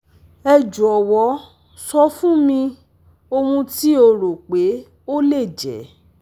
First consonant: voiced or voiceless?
voiced